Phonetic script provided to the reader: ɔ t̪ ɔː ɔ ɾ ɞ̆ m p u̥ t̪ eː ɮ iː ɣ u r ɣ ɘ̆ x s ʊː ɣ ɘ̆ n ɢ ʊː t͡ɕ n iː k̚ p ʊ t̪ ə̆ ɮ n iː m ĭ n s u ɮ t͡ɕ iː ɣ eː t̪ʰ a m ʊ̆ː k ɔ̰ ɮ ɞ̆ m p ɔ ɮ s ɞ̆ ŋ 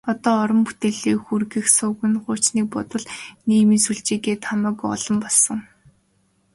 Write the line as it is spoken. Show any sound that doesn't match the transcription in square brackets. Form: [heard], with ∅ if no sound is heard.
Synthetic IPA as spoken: ɔ t̪ ɔː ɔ ɾ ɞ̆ m p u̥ t̪ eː ɮ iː [x] u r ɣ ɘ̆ x s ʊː ɣ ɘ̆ n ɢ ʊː t͡ɕ n iː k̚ p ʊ t̪ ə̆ ɮ n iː m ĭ n s u ɮ t͡ɕ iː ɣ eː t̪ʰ a m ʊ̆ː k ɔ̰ ɮ ɞ̆ m p ɔ ɮ s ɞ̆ ŋ